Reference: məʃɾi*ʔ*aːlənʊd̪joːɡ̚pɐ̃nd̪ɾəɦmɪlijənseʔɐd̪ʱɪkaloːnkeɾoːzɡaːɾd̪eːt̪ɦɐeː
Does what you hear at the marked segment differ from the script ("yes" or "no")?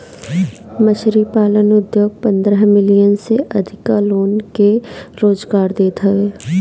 yes